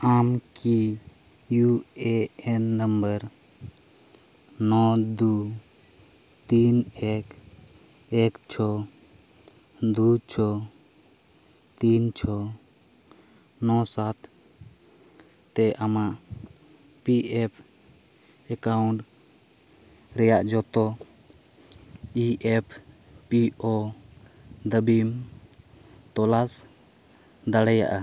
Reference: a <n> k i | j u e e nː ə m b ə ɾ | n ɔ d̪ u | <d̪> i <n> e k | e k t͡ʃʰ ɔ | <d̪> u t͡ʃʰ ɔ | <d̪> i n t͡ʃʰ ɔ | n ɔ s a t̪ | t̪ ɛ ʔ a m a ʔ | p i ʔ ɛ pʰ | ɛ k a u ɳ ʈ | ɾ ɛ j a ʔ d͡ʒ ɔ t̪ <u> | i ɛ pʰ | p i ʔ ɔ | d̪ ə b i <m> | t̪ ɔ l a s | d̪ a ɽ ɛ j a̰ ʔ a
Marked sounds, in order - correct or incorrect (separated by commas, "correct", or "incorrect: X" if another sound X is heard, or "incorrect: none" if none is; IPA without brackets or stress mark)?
incorrect: m, incorrect: t̪, correct, correct, incorrect: t̪, incorrect: ɔ, correct